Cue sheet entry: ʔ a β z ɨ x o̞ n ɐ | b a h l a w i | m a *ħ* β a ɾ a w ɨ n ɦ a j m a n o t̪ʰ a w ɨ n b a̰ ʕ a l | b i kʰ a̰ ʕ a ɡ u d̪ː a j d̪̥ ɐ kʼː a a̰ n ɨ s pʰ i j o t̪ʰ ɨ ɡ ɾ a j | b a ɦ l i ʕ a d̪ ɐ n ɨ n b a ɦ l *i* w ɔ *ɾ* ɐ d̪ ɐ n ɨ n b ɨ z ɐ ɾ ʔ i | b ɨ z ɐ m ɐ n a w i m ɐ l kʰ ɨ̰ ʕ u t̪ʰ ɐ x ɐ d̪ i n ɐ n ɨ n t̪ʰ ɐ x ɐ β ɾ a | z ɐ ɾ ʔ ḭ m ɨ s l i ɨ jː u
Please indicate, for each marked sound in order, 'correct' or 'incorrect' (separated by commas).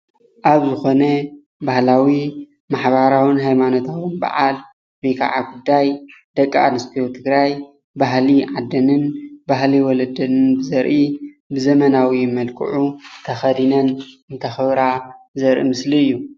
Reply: correct, correct, incorrect